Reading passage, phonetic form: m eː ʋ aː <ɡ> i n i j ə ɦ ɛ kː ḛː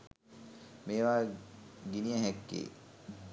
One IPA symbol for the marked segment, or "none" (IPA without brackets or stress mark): ɡ